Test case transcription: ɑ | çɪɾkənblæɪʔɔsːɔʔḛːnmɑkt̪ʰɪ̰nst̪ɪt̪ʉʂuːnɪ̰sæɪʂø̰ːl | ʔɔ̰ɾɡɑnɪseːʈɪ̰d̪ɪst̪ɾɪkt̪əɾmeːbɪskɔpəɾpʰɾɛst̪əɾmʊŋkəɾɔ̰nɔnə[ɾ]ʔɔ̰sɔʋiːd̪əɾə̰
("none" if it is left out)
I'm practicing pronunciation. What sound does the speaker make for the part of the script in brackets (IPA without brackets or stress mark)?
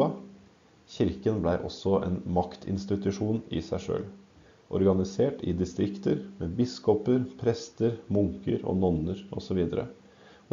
ɾ